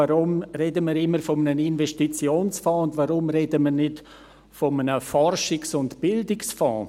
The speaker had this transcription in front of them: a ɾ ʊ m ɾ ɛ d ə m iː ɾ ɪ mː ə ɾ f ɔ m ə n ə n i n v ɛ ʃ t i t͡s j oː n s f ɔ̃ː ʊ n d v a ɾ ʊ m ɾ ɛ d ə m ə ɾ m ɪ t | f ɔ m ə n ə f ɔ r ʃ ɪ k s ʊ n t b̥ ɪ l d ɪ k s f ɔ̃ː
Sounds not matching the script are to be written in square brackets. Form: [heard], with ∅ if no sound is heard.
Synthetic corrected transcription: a ɾ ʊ m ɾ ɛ d ə m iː ɾ ɪ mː ə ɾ f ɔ m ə n ə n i n v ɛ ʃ t i t͡s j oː n s f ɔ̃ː ʊ n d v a ɾ ʊ m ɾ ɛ d ə m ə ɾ [n] ɪ t | f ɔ m ə n ə f ɔ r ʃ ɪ k s ʊ n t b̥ ɪ l d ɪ k s f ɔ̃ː

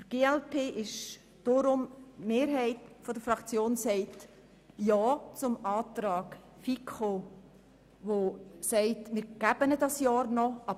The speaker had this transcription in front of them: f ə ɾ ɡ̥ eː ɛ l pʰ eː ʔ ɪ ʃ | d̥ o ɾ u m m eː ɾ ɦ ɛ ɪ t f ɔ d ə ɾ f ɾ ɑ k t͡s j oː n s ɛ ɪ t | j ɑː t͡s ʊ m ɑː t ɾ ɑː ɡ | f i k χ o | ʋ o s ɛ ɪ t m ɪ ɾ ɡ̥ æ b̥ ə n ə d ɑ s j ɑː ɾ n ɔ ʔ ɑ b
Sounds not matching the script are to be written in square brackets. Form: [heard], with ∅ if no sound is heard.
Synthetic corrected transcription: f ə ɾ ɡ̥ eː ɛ l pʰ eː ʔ ɪ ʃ | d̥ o ɾ [ʊ] m m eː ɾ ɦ ɛ ɪ t f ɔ d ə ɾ f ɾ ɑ k t͡s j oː n s ɛ ɪ t | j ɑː t͡s ʊ m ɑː t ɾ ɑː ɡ | f i k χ o | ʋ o s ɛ ɪ t m ɪ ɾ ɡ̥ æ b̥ ə n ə d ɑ s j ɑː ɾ n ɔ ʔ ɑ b

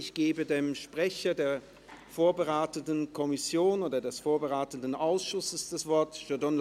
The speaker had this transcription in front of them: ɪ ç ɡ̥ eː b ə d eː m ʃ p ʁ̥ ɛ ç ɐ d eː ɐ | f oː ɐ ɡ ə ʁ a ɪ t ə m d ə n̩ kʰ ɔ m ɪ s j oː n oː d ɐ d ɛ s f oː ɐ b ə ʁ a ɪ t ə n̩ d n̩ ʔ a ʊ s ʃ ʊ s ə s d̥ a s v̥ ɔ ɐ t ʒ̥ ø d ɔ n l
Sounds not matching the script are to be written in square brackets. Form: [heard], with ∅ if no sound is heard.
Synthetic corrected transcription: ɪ ç ɡ̥ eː b ə d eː m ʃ p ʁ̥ ɛ ç ɐ d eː ɐ | f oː ɐ [b] ə ʁ a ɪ t ə [n] d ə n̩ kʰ ɔ m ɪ s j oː n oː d ɐ d ɛ s f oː ɐ b ə ʁ a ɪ t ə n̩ d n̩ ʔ a ʊ s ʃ ʊ s ə s d̥ a s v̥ ɔ ɐ t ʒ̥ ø d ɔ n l

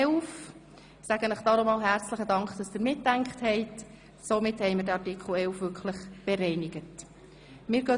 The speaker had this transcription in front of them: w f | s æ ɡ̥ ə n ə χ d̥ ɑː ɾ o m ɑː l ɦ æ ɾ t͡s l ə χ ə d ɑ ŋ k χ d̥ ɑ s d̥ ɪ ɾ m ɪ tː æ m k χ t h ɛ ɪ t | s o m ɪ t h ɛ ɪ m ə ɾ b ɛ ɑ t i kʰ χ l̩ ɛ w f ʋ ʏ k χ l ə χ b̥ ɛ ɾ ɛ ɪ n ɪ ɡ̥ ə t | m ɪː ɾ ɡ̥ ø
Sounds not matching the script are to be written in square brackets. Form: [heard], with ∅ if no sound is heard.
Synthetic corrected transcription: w f | s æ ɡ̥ ə n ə χ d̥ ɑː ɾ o m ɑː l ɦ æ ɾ t͡s l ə χ ə d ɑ ŋ k χ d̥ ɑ s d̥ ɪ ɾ m ɪ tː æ [ŋ] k χ t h ɛ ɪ t | s o m ɪ t h ɛ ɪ m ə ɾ [d] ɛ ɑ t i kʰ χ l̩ ɛ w f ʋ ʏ k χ l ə χ b̥ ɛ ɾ ɛ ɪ n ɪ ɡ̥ ə t | m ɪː ɾ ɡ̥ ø

